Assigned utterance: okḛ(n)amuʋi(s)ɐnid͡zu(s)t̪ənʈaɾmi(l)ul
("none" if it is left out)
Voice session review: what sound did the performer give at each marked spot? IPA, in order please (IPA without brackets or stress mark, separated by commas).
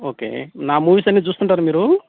n, s, s, ɾ